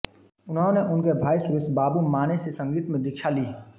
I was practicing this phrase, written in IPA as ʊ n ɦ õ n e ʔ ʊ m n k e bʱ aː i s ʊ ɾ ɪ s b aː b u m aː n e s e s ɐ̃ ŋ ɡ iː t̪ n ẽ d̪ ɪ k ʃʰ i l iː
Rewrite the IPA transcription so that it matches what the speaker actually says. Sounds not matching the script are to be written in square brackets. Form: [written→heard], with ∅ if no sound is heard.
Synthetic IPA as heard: ʊ n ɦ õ n e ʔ ʊ [m→∅] n k e bʱ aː i s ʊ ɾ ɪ s b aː b u m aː n e s e s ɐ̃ ŋ ɡ iː t̪ [n→m] ẽ d̪ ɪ k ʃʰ [i→a] l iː